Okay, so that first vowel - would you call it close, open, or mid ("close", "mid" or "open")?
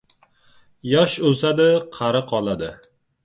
open